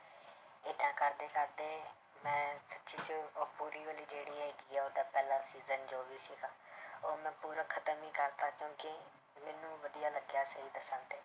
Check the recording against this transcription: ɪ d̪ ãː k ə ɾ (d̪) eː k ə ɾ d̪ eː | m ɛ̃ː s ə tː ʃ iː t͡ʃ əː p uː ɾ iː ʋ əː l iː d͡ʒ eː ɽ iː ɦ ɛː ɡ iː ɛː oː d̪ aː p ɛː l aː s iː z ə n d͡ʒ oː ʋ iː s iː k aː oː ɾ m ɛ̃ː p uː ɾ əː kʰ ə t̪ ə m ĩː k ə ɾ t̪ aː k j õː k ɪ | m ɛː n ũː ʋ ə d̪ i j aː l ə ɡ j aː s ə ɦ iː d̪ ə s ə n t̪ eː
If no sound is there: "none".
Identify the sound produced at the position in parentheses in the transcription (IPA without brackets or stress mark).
d̪